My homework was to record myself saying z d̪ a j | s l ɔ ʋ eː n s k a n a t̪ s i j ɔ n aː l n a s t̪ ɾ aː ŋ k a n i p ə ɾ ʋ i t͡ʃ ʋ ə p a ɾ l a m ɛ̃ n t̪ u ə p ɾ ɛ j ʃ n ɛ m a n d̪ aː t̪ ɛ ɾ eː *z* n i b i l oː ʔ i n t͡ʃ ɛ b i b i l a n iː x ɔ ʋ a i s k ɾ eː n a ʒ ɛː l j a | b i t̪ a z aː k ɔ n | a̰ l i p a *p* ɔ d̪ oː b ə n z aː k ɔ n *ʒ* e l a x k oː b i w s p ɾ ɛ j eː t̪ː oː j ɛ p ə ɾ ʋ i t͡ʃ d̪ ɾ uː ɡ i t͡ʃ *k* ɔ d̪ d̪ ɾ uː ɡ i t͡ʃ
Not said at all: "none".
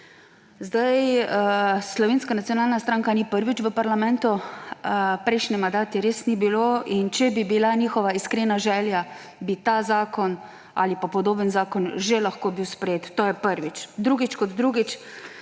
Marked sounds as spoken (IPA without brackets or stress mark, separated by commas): s, p, ʒ, k